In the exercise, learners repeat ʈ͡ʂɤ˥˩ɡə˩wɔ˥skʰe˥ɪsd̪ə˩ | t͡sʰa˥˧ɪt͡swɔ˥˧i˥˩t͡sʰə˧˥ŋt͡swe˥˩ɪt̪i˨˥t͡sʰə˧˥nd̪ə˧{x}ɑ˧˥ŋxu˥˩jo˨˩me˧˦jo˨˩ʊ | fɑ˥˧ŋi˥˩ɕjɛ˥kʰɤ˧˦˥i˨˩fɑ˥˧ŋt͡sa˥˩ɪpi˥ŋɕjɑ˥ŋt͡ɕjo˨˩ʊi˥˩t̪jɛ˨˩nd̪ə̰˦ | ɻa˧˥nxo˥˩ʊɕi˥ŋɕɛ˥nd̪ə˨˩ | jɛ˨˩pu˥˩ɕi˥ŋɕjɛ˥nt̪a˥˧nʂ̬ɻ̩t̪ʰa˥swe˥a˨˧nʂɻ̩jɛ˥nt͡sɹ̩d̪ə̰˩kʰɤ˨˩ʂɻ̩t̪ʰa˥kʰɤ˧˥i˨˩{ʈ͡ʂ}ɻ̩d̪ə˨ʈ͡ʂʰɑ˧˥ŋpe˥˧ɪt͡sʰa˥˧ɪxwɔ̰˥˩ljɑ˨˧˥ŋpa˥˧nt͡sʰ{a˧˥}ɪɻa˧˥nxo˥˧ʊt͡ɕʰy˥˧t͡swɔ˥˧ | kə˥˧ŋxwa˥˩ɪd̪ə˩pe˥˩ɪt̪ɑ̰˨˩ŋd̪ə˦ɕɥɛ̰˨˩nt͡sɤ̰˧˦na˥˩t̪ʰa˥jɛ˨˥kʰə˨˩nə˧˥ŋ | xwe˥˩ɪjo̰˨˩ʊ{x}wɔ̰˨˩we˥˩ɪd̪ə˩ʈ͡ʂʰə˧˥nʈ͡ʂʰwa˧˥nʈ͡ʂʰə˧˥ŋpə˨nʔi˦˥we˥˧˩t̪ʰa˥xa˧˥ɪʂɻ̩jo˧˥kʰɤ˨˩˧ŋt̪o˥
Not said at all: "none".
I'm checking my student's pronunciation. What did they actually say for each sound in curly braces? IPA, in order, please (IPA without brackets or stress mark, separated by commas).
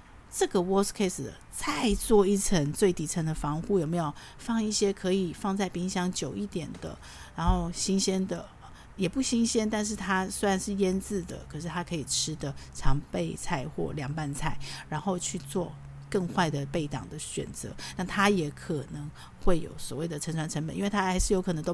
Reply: f, ʈ͡ʂʰ, a˥˩, s